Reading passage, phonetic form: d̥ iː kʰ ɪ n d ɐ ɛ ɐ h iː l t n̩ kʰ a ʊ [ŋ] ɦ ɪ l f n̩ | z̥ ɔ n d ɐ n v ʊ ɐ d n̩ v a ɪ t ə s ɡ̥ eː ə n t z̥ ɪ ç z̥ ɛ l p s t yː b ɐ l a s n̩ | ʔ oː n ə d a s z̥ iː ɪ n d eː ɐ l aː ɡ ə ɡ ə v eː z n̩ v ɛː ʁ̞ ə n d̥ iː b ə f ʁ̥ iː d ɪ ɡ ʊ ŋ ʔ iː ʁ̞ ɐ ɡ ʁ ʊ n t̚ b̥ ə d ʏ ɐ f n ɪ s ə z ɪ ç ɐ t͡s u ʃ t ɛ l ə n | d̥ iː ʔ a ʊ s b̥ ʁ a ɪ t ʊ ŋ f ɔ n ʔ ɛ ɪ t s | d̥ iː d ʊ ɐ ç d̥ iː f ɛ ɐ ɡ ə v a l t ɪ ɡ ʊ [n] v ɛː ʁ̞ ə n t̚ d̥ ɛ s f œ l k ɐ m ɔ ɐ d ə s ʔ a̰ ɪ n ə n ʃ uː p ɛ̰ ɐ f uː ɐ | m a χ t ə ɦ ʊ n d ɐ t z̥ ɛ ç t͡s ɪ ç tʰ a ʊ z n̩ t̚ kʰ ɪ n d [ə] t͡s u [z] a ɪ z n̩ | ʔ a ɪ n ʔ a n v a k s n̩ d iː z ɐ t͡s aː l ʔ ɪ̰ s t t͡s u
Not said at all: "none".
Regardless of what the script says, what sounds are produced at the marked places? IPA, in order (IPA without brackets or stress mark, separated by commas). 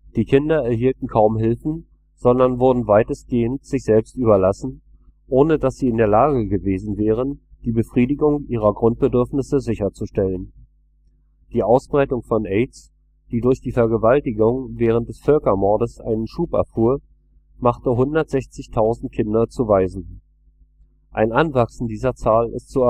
m, ŋ, ɐ, v